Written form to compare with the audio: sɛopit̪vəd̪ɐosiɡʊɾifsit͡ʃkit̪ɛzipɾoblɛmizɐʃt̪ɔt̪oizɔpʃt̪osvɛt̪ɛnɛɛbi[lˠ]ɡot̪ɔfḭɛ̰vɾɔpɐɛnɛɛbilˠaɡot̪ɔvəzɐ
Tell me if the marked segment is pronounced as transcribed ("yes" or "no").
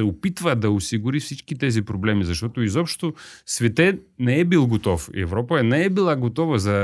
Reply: yes